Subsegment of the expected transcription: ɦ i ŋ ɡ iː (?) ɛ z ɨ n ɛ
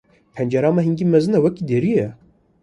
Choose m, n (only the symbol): m